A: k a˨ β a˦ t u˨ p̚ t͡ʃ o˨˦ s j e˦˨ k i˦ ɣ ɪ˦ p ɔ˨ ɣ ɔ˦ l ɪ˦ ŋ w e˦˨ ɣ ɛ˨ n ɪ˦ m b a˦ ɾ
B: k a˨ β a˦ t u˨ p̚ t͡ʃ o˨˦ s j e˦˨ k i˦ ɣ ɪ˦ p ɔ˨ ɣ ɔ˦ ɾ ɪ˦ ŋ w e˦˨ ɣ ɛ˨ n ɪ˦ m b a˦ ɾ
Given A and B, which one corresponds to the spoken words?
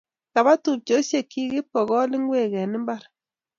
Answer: A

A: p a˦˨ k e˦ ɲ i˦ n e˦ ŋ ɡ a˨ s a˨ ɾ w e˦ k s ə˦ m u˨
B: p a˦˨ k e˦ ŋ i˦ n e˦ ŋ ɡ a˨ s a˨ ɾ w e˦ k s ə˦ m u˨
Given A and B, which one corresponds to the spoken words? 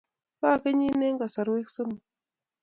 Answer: A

